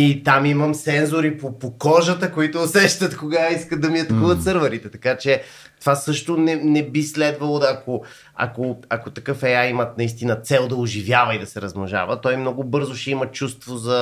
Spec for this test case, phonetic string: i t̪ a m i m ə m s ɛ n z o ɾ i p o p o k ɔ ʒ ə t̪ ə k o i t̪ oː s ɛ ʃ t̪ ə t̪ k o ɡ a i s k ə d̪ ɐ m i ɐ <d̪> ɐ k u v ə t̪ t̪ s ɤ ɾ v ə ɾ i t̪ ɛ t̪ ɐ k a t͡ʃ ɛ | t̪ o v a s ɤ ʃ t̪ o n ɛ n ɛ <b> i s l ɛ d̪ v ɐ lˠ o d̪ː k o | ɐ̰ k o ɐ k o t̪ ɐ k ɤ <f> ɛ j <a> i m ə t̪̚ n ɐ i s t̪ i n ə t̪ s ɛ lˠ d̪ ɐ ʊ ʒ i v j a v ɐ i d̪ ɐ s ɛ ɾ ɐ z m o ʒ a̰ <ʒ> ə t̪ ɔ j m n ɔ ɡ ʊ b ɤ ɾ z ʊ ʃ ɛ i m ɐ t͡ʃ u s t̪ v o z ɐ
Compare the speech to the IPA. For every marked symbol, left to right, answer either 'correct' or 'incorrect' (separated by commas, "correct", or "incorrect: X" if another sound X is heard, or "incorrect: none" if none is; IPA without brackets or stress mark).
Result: incorrect: t̪, correct, correct, correct, incorrect: v